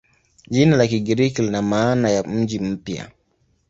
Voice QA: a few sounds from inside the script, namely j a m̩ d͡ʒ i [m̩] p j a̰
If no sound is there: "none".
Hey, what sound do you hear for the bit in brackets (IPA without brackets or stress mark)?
m̩